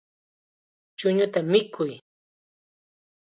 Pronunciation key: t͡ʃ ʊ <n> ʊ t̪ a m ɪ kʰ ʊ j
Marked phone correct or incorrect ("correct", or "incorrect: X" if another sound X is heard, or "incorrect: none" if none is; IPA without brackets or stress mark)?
incorrect: ɲ